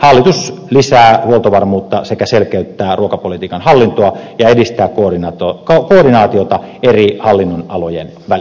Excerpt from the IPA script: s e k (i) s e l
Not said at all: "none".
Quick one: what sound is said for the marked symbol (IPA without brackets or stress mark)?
æ